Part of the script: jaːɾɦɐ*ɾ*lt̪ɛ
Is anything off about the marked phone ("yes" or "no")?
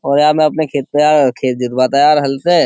yes